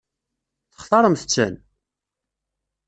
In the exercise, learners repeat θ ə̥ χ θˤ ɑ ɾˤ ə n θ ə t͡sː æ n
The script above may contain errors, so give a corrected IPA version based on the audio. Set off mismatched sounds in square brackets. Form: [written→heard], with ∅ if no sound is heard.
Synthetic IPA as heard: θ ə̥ χ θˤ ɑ ɾˤ ə [n→m] θ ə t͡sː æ n

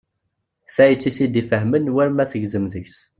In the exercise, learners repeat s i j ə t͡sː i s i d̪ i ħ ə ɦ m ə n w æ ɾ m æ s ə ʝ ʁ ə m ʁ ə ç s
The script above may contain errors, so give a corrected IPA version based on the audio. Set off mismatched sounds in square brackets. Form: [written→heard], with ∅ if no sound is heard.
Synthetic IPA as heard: s [i→æ] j ə t͡sː i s i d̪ i [ħ→f] ə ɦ m ə n w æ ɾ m æ [s→θ] ə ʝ [ʁ→z] ə m [ʁ→ð] ə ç s

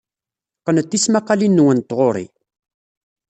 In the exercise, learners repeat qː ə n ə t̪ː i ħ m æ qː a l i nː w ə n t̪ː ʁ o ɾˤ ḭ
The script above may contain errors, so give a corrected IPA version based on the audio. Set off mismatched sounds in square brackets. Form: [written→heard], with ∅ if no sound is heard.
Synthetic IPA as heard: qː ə n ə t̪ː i [ħ→s] m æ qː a l i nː w ə n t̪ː ʁ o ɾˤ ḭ

